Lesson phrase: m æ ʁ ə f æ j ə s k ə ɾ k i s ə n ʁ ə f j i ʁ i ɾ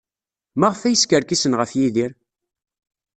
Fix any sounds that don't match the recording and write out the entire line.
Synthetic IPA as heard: m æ ʁ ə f æ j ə s k ə ɾ k i s ə n ʁ ə f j i ð i ɾ